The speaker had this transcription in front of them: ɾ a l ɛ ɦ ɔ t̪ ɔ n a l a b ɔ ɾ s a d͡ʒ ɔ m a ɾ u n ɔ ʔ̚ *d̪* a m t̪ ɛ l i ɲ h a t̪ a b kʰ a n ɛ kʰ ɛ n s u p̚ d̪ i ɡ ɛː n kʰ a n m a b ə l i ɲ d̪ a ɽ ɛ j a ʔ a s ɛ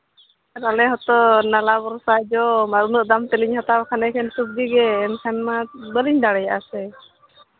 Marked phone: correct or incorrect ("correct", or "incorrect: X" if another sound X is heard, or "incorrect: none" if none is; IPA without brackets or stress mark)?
correct